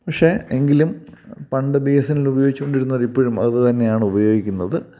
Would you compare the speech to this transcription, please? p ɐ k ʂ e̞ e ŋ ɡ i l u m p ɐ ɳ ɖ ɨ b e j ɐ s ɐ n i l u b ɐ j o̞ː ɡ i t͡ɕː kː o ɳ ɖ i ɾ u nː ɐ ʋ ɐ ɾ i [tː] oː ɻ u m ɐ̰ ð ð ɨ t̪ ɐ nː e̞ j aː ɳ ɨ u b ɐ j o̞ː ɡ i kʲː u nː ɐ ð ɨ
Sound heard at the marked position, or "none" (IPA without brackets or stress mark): pː